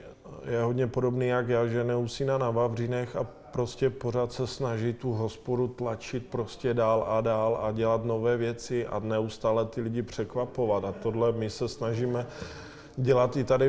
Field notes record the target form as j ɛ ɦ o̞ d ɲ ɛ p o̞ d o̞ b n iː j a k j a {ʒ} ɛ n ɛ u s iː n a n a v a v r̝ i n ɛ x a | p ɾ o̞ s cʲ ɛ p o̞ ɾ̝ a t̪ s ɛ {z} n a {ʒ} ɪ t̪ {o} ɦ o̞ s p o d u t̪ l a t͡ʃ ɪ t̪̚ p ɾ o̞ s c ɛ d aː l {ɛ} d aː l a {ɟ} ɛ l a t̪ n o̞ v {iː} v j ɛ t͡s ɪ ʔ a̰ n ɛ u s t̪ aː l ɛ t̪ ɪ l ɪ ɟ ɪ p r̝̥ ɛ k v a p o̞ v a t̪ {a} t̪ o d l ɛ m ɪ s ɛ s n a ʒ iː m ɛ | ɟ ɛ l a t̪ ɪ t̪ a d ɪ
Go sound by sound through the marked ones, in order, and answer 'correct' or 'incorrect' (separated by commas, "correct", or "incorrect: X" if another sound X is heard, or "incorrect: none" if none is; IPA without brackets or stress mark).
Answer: correct, incorrect: s, correct, incorrect: u, incorrect: a, correct, incorrect: ɛː, correct